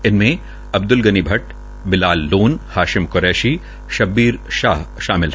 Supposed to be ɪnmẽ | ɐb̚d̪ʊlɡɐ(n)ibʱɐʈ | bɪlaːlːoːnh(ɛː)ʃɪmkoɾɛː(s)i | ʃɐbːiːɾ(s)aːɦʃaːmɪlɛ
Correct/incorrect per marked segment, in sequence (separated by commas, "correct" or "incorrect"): correct, incorrect, incorrect, incorrect